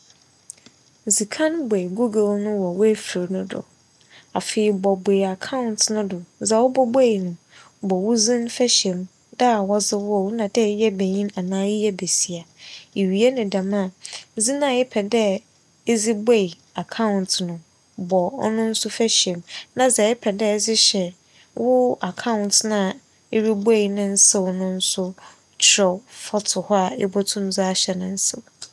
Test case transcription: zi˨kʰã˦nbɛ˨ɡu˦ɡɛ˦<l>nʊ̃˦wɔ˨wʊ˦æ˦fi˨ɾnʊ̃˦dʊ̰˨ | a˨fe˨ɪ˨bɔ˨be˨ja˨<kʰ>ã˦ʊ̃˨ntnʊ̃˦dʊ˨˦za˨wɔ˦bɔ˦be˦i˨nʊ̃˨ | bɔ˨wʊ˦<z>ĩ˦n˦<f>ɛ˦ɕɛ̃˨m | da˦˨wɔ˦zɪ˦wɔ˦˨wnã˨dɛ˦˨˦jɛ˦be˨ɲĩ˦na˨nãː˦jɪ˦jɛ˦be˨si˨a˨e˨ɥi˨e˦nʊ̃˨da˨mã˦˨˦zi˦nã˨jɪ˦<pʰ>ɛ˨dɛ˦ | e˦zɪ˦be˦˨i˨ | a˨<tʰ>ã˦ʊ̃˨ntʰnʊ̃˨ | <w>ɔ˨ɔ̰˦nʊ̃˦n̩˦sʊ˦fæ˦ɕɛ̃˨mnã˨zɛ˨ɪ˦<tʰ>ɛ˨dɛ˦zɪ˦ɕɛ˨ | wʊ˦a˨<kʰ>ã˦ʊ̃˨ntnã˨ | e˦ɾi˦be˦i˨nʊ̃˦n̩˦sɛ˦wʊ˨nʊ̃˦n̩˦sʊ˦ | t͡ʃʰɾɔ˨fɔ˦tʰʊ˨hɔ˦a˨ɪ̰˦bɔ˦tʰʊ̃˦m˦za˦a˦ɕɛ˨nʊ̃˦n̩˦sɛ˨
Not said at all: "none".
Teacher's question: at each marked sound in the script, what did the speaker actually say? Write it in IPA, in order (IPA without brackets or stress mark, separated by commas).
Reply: l, kʰ, z, f, pʰ, kʰ, b, pʰ, kʰ